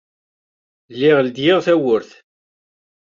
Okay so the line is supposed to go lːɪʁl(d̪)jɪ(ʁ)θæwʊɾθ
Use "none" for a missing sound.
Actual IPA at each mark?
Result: d̪, ʁ

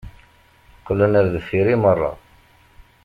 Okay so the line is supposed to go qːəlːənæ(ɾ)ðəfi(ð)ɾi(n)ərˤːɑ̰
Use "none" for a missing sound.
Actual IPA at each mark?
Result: ɾ, none, m

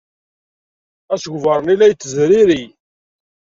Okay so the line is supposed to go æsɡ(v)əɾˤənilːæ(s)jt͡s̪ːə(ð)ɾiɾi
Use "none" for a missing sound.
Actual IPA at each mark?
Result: v, none, z

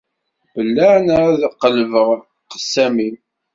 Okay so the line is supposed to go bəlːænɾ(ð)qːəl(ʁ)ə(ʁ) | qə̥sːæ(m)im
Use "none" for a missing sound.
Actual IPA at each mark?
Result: ð, v, ʁ, m

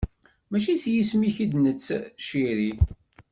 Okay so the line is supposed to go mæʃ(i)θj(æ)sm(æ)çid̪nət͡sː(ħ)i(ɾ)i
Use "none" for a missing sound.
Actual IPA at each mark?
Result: i, i, i, ʃ, ɾ

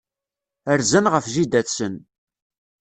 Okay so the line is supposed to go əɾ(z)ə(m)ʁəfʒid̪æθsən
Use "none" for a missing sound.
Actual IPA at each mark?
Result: z, n

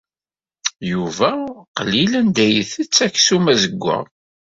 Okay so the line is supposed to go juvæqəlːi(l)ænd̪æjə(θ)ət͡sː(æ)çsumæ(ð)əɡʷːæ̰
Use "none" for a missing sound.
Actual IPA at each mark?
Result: l, θ, æ, z

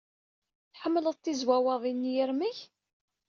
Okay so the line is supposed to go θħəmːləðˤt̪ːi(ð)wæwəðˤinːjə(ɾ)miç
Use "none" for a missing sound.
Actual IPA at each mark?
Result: z, ɾ

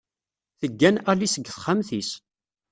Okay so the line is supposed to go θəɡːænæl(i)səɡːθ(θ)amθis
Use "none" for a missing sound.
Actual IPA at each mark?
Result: i, χ

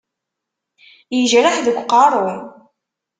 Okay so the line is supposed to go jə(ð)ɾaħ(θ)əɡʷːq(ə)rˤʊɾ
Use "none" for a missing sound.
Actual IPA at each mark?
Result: ʒ, ð, ɑ

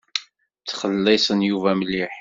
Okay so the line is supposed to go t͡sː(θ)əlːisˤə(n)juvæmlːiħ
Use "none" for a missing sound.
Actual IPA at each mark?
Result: χ, n

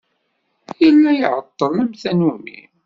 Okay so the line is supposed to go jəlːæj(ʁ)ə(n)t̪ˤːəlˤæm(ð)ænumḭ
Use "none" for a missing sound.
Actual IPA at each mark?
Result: ʕ, none, θ

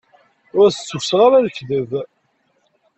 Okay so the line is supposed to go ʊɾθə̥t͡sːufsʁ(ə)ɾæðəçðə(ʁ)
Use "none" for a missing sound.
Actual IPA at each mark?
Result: a, v

